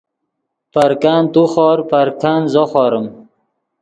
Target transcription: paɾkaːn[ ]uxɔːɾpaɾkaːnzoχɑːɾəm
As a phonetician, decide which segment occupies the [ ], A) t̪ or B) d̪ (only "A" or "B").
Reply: A